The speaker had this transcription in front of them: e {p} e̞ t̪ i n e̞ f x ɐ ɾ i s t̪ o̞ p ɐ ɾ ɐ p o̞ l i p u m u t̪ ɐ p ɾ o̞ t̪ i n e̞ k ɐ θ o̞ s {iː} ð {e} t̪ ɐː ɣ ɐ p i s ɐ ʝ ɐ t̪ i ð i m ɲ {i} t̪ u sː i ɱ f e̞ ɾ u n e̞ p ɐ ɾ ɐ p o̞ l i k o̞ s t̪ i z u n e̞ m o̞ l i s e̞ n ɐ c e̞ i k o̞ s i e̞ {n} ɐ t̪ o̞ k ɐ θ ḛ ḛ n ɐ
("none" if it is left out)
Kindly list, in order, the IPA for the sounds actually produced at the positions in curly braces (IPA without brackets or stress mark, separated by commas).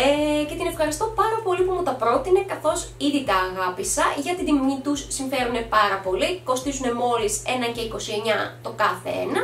c, i, i, i, ɲ